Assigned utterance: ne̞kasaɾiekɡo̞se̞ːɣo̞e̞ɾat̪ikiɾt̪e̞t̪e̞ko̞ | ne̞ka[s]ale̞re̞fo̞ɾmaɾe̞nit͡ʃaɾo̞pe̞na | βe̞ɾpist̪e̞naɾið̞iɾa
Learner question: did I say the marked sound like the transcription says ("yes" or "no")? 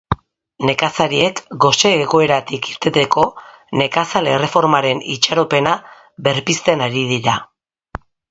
yes